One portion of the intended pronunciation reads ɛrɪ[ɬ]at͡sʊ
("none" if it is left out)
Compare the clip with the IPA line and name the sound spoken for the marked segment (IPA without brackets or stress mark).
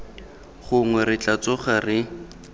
t͡ɬ